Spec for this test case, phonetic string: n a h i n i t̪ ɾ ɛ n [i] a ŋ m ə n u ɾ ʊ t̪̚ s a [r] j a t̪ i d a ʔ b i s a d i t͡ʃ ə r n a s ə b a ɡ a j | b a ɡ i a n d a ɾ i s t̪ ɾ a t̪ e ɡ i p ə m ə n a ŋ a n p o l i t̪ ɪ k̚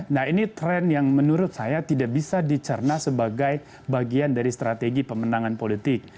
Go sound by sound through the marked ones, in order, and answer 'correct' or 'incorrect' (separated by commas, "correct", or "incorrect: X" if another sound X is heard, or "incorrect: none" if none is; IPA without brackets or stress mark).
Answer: incorrect: j, incorrect: none